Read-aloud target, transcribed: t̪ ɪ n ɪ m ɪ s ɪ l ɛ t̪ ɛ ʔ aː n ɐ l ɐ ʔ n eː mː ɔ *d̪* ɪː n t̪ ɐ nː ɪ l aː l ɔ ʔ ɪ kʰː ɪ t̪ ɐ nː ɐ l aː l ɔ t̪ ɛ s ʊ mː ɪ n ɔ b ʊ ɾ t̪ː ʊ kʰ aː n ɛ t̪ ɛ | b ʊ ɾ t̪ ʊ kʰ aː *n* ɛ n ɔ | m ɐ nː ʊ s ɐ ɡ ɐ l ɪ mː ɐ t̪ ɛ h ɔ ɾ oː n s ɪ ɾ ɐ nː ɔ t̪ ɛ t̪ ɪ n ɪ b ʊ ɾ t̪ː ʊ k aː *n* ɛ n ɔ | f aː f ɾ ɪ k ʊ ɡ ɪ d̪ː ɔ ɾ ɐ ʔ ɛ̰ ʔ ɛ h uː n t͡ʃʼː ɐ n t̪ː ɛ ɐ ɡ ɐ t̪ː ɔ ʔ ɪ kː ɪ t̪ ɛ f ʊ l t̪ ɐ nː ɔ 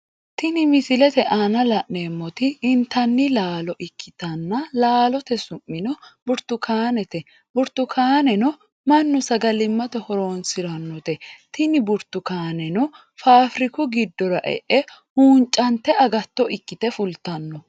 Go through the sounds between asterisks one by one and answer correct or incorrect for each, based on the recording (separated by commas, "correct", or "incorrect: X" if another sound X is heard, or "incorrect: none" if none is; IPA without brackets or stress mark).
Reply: incorrect: t̪, correct, correct